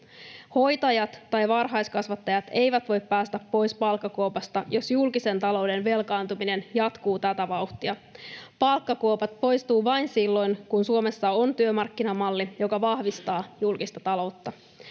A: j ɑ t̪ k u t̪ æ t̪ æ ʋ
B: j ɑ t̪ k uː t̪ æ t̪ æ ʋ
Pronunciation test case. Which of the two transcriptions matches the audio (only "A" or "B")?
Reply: B